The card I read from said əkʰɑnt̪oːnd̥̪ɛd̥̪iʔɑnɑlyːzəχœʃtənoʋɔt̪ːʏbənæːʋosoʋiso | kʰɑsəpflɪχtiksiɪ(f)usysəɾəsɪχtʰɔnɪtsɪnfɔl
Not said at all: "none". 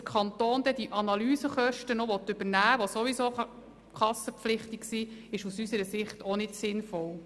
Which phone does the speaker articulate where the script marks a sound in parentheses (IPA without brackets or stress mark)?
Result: ʃ